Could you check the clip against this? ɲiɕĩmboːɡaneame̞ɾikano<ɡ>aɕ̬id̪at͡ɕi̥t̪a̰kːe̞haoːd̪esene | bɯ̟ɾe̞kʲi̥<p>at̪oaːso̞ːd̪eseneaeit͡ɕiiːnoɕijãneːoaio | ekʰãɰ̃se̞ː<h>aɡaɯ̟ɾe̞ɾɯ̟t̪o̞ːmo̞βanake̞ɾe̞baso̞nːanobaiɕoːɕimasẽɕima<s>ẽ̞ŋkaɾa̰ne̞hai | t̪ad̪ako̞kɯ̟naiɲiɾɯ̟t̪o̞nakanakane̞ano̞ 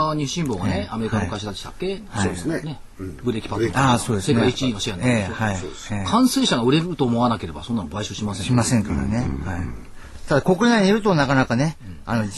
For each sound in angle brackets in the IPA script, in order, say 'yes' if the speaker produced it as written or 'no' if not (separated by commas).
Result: no, yes, no, yes